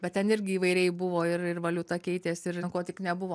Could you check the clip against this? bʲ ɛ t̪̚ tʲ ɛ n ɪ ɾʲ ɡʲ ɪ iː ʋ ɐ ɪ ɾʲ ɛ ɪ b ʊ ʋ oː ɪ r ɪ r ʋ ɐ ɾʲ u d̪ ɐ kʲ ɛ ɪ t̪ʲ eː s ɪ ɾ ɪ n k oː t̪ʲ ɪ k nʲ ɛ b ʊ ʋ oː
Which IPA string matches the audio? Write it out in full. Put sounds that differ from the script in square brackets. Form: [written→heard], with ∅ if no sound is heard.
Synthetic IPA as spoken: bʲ ɛ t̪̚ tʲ ɛ n ɪ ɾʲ ɡʲ ɪ iː ʋ ɐ ɪ ɾʲ ɛ ɪ b ʊ ʋ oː ɪ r ɪ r ʋ ɐ [ɾʲ→lʲ] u [d̪→t̪] ɐ kʲ ɛ ɪ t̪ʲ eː s ɪ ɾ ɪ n k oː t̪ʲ ɪ k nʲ ɛ b ʊ ʋ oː